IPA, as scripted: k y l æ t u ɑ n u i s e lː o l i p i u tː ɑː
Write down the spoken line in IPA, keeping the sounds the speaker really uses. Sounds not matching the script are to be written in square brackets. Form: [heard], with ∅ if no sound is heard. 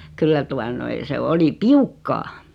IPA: k y [lː] æ t u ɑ n [o] i s e [∅] o l i p i u [kː] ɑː